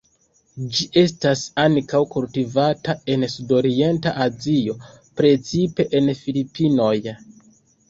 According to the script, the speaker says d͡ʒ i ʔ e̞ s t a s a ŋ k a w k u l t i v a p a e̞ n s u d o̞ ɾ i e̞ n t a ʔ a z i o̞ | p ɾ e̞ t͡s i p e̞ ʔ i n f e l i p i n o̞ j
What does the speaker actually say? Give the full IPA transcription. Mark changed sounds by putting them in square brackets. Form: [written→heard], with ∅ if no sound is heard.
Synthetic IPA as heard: d͡ʒ i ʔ e̞ s t a s a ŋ k a w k u l t i v a [p→t] a e̞ n s u d o̞ ɾ i e̞ n t a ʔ a z i o̞ | p ɾ e̞ t͡s i p e̞ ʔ [i→e] n f [e→i] l i p i n o̞ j